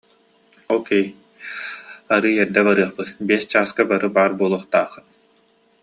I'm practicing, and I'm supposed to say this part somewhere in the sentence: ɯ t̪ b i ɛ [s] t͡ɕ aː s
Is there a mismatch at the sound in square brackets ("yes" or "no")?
no